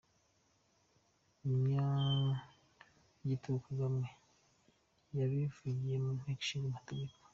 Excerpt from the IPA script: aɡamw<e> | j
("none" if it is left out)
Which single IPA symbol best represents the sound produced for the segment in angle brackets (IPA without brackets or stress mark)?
e